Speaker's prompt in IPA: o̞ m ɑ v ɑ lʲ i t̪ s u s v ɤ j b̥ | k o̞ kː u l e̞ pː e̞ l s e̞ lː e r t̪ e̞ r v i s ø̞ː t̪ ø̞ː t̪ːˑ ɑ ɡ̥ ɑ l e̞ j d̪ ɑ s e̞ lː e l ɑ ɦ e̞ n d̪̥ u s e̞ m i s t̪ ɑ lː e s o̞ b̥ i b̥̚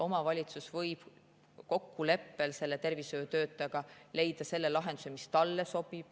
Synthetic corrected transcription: o̞ m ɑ v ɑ lʲ i t̪ s u s v ɤ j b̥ | k o̞ kː u l e̞ pː e̞ l s e̞ lː e t̪ e̞ r v i s ø̞ː t̪ ø̞ː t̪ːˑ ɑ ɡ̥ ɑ l e̞ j d̪ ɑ s e̞ lː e l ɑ ɦ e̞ n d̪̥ u s e̞ m i s t̪ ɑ lː e s o̞ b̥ i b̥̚

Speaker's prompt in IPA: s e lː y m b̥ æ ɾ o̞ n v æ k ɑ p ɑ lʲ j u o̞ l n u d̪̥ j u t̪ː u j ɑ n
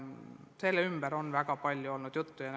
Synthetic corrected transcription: s e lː y m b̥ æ ɾ o̞ n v æ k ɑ p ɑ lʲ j u o̞ l n u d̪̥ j u t̪ː u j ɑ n

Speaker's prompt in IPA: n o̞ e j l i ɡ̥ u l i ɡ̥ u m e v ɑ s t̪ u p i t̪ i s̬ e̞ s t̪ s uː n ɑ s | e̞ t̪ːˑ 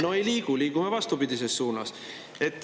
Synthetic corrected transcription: n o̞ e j l iː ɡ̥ u l iː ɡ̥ u m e v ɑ s t̪ u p i d̪ i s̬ e̞ s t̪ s uː n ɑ s | e̞ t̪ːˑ

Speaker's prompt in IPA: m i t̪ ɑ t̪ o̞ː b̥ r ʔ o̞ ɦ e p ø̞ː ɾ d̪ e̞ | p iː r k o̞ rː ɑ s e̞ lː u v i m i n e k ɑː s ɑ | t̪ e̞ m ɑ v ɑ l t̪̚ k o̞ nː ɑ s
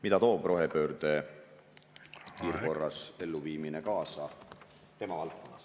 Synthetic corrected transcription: m i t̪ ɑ t̪ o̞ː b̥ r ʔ o̞ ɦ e p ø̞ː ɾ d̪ e̞ | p iː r k o̞ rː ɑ s e̞ lː u v iː m i n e k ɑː s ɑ | t̪ e̞ m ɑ v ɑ l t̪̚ k o̞ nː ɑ s

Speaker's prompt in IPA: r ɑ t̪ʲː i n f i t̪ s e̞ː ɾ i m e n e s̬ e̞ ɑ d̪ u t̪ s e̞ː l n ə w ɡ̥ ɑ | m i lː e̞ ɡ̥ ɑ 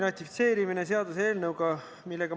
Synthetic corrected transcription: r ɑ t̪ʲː i f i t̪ s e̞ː ɾ i m i n e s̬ e̞ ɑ d̪ u s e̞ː l n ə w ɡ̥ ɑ | m i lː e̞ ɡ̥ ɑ

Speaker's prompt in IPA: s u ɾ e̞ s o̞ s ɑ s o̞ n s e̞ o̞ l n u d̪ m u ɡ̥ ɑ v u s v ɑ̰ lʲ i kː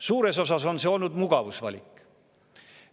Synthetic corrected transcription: s uː ɾ e̞ s o̞ s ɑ s o̞ n s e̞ o̞ l n u d̪ m u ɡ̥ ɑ v u s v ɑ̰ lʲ i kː

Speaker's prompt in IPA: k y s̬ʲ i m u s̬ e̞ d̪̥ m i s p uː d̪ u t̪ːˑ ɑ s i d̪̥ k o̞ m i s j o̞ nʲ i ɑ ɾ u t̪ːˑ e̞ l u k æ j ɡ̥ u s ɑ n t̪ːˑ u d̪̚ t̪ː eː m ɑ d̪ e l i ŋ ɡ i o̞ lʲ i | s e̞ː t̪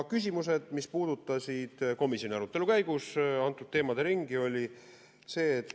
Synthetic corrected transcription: k y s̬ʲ i m u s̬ e̞ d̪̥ m i s p uː d̪ u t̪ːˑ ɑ s i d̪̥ k o̞ m i s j o̞ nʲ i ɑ ɾ u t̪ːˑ e̞ l u k æ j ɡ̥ u s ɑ n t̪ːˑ u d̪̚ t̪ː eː m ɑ d̪ e ɾ i ŋ ɡ i o̞ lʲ i | s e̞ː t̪

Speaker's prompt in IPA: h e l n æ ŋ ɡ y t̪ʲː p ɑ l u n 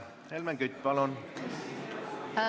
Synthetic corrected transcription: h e l m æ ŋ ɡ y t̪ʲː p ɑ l o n

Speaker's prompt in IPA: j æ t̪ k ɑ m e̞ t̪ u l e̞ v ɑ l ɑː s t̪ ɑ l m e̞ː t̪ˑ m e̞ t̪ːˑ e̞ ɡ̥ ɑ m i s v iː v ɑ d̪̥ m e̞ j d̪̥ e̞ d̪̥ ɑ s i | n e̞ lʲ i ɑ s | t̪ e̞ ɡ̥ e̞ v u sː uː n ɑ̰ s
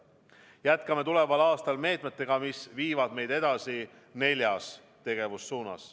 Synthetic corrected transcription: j æ t̪ k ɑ m e̞ t̪ u l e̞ v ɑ l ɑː s t̪ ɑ l m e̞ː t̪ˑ m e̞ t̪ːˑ e̞ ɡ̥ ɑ m i s v iː v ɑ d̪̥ m e̞ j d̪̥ e̞ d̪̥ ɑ s i | n e̞ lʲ j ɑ s | t̪ e̞ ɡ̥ e̞ v u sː uː n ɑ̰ s

